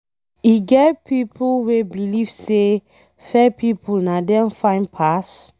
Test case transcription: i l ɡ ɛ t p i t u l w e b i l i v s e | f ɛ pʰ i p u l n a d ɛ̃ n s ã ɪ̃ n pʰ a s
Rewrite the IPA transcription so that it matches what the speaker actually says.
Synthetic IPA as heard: i ɡ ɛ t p i p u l w e b i l i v s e | f ɛ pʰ i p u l n a d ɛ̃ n f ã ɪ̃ n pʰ a s